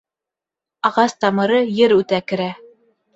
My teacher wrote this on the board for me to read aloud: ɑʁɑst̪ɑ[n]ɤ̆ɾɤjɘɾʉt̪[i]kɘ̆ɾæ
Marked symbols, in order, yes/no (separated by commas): no, no